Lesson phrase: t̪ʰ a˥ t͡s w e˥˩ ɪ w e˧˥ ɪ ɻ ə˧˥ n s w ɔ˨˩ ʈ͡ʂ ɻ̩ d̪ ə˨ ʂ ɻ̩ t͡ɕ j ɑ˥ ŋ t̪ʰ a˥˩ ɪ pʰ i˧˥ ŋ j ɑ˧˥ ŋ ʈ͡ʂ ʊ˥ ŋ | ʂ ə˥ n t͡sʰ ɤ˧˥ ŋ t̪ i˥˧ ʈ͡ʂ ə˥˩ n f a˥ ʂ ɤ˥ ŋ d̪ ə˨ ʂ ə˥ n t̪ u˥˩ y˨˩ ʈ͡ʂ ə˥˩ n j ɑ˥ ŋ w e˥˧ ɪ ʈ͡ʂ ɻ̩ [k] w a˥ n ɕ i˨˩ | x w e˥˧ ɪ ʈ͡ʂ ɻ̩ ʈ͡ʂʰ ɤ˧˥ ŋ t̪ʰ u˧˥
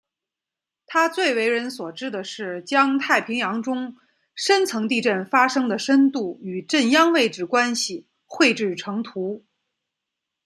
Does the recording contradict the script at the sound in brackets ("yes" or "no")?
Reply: no